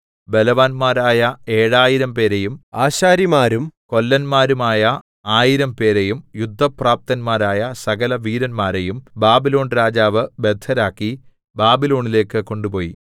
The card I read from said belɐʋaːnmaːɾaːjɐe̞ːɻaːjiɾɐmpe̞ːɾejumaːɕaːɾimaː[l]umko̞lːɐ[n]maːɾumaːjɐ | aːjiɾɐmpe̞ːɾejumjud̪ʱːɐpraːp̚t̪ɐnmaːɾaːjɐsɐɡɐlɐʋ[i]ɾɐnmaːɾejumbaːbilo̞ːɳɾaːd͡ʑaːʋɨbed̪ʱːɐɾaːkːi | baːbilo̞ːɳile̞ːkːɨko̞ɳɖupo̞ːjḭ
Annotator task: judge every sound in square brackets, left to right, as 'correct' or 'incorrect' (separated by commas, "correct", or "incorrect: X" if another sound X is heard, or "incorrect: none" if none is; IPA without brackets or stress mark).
incorrect: ɾ, correct, incorrect: iː